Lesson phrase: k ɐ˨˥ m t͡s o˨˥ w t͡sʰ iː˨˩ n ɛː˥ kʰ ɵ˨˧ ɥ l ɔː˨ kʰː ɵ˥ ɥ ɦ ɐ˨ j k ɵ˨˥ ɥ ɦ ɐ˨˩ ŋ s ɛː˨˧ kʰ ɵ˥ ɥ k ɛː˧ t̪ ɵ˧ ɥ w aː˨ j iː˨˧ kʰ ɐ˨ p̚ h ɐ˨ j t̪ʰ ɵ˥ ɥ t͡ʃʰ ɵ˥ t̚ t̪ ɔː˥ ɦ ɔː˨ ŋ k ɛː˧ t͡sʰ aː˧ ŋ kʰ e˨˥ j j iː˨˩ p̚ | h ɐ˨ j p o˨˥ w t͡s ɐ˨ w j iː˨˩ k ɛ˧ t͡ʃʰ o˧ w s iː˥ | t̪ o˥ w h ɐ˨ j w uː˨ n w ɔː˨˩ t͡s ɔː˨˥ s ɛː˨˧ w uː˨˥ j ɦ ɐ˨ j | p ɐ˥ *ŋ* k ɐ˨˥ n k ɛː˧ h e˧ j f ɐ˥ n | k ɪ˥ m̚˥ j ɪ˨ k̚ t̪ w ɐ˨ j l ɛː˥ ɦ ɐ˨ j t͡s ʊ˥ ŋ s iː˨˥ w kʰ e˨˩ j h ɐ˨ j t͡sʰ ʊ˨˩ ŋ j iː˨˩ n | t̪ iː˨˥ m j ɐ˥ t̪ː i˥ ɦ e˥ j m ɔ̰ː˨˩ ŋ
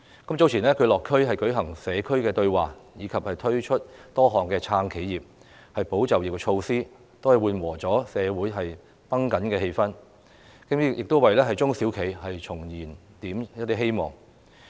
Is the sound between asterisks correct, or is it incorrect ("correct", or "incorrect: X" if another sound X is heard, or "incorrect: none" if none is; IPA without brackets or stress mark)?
correct